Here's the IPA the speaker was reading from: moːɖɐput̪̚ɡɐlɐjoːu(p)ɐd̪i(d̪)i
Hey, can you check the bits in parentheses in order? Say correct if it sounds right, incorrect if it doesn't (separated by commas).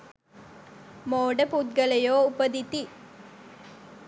correct, incorrect